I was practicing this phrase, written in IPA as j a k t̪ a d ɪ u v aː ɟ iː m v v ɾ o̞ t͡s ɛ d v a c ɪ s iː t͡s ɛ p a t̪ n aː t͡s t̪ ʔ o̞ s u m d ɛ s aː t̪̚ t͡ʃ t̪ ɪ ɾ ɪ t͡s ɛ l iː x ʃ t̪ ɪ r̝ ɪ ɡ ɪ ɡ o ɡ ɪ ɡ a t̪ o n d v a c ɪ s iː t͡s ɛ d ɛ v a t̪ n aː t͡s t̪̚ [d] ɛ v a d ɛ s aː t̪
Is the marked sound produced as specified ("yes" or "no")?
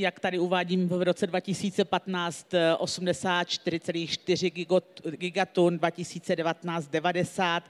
yes